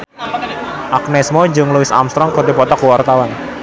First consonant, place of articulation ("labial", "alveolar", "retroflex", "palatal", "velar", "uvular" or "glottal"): glottal